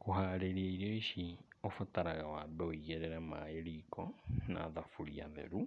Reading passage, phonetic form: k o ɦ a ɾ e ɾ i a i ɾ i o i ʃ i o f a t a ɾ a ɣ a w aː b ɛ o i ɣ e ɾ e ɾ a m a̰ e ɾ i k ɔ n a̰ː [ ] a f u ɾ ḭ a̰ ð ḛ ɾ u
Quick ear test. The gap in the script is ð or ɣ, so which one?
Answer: ð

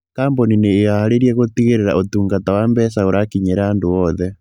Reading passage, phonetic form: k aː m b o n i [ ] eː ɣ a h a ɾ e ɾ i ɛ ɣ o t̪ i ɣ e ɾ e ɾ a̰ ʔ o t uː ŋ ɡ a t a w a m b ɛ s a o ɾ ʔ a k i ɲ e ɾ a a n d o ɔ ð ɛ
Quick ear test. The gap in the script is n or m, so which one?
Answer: n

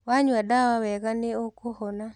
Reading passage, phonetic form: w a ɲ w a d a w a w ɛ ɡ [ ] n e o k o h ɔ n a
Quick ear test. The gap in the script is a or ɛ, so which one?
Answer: a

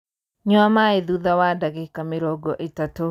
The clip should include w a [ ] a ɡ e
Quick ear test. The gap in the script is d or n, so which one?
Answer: d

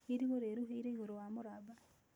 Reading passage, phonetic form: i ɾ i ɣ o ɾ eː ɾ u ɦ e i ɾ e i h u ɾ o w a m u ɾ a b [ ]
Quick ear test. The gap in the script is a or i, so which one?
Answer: a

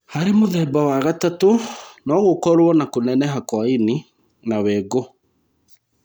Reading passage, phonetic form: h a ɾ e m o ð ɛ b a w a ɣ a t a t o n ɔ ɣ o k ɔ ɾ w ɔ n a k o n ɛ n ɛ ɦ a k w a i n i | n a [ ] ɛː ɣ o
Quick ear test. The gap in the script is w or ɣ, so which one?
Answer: w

